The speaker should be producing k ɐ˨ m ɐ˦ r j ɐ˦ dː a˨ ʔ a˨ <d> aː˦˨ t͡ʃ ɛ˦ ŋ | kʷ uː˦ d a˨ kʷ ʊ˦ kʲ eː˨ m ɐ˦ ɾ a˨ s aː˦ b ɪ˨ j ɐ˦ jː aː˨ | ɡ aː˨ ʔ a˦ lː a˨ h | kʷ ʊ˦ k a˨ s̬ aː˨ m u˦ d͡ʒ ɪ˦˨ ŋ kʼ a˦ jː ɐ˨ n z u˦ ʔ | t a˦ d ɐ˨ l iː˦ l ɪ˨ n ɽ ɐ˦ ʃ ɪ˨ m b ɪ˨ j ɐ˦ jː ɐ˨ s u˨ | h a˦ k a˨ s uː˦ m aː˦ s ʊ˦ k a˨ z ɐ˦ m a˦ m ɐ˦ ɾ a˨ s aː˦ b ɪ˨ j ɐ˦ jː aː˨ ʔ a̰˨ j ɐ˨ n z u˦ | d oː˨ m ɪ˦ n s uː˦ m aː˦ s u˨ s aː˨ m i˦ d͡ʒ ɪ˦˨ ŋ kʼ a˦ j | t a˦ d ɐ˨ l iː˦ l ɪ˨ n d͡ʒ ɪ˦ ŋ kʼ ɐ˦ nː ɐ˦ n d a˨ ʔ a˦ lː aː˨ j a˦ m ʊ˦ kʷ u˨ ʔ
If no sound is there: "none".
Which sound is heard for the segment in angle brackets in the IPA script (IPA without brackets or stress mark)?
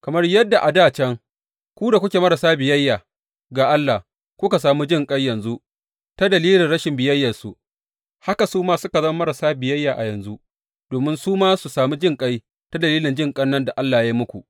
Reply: d